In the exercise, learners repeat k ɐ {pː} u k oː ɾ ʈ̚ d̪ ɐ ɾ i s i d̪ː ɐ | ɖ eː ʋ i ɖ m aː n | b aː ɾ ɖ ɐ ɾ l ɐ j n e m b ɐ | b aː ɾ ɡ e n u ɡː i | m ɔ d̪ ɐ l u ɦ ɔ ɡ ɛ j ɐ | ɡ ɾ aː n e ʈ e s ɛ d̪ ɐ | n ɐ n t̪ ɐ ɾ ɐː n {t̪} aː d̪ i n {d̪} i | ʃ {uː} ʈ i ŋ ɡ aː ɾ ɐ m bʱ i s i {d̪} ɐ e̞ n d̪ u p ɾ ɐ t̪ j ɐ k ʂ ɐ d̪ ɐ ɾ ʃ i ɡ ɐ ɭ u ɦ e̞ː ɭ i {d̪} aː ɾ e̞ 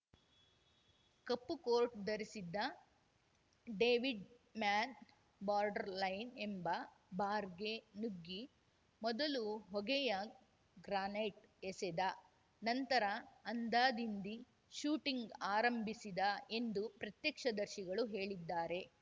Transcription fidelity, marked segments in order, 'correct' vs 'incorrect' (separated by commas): correct, incorrect, correct, correct, correct, incorrect